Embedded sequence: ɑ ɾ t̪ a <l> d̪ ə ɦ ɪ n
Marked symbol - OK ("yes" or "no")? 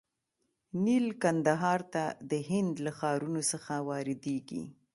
no